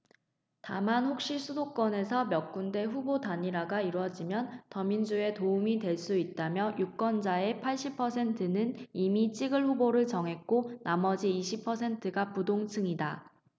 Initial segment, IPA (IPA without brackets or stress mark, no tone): t